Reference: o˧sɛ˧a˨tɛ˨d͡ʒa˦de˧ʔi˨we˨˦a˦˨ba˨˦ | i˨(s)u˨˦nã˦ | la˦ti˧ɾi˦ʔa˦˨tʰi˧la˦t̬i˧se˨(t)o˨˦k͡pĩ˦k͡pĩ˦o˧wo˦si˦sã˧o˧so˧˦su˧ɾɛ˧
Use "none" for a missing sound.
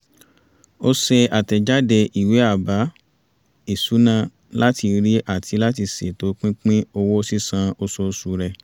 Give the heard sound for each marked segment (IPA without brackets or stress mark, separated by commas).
s, t